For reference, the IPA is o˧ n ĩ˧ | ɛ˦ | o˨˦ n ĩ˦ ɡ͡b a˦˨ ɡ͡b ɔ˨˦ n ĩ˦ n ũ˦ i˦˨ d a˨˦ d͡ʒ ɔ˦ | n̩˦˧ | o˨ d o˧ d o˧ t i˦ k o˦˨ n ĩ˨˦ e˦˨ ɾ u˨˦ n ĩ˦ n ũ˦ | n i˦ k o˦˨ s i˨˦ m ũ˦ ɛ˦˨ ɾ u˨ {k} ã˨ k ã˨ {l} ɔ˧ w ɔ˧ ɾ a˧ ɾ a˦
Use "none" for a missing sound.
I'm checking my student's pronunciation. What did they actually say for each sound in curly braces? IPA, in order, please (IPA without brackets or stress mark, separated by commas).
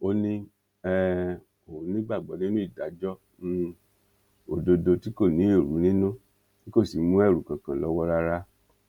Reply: k, l